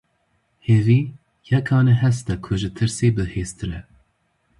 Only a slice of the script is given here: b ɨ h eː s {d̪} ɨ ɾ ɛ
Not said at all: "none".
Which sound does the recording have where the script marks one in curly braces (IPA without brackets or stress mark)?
t̪